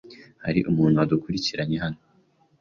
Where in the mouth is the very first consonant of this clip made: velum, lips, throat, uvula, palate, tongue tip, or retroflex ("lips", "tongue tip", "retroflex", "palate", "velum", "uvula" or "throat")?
throat